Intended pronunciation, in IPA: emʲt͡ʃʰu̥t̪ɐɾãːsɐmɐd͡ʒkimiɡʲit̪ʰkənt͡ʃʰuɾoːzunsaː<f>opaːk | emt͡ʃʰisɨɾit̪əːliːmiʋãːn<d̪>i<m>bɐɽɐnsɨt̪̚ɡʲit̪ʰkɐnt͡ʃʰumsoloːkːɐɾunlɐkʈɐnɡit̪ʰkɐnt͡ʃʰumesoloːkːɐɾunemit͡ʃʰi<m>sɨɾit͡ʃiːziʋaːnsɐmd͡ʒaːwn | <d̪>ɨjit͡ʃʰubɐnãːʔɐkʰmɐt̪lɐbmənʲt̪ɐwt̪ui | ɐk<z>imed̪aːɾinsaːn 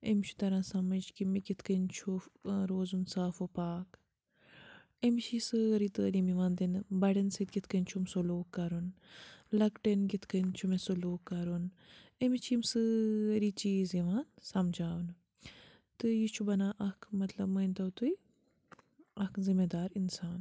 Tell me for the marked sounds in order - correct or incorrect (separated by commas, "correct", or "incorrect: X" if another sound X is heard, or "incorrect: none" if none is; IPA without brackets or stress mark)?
correct, correct, incorrect: n, correct, incorrect: t̪, correct